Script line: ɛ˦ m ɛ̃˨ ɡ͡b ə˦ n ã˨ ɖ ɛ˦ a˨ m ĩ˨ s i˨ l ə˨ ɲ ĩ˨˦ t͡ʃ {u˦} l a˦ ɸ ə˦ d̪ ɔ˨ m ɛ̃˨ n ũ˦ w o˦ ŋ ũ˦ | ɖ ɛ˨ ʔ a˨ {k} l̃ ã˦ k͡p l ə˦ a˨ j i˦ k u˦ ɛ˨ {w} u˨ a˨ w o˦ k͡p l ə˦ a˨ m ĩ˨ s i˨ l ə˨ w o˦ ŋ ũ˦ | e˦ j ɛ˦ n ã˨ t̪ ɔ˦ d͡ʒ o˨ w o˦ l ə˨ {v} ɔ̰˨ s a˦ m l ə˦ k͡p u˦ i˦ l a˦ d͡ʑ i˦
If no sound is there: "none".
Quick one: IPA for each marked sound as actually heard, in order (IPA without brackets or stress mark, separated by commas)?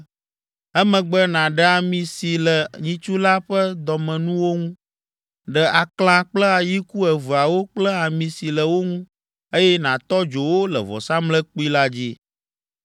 u˦, k, v, v